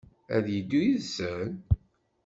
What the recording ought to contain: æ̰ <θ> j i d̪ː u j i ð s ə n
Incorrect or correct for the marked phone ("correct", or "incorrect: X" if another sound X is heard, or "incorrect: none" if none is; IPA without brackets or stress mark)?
incorrect: ð